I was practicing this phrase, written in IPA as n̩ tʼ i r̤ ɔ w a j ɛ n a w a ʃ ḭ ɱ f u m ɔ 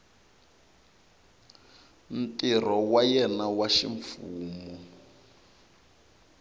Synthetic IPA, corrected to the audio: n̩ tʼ i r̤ ɔ w a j ɛ n a w a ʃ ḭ ɱ f uː m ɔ